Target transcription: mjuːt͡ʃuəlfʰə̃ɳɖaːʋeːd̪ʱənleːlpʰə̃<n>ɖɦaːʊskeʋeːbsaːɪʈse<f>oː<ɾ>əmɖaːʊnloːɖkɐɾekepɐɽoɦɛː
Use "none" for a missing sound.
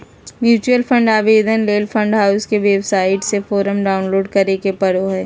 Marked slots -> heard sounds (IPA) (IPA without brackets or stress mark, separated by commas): ɳ, f, ɾ